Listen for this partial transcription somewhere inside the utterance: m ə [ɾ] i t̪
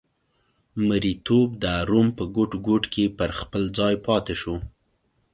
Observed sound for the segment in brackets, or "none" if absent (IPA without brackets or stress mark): ɾ